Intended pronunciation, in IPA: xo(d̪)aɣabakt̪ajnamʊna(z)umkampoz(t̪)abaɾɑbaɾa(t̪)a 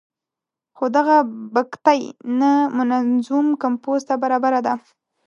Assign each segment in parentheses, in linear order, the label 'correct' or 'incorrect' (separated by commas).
correct, correct, correct, incorrect